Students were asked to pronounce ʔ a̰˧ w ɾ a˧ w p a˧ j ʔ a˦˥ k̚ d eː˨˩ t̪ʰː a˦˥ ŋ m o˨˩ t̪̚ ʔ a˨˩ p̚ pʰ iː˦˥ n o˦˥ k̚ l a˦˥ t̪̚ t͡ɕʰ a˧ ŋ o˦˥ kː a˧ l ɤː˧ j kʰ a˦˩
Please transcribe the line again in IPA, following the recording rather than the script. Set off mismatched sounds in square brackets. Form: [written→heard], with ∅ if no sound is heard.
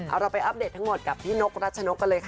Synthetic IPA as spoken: ʔ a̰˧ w ɾ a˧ w p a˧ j ʔ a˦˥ [k̚→p̚] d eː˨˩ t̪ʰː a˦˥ ŋ m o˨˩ t̪̚ [ʔ→k] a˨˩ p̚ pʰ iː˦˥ n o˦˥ k̚ [l→ɾ] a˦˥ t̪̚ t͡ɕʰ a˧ [ŋ→n] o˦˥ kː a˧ l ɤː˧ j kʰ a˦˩

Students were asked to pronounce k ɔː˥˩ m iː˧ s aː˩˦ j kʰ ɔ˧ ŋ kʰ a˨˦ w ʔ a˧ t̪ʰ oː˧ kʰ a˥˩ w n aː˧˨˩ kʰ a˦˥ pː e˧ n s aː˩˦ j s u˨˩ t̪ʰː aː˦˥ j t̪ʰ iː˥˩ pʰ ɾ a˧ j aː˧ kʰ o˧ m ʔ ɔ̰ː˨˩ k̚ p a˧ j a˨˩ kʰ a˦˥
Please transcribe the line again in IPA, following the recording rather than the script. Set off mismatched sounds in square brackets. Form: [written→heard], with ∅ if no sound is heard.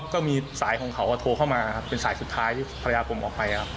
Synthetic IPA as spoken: k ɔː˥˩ m iː˧ s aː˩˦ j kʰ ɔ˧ ŋ kʰ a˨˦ w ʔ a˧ t̪ʰ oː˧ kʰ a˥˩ w [n→m] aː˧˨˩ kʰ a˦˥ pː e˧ n s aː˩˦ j s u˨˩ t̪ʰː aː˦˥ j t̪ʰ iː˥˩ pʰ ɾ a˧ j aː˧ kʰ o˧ m ʔ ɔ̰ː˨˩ k̚ p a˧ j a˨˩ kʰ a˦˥

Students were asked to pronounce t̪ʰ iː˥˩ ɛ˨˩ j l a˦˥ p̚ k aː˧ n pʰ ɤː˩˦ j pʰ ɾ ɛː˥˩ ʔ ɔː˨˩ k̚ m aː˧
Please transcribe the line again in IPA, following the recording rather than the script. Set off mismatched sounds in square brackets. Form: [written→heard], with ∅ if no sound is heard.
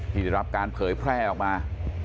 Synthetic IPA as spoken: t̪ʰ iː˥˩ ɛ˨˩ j [l→ɾ] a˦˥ p̚ k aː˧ n pʰ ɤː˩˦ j pʰ ɾ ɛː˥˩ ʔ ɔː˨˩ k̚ m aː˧

